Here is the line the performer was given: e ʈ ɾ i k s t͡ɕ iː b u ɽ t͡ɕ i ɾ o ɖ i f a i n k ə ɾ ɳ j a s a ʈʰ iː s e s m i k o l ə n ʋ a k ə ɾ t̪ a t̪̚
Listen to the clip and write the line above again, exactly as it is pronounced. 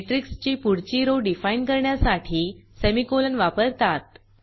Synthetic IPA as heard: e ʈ ɾ i k s t͡ɕ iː p u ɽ t͡ɕ i ɾ o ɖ i f a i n k ə ɾ ɳ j a s a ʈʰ iː s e m i k o l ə n ʋ a p ə ɾ t̪ a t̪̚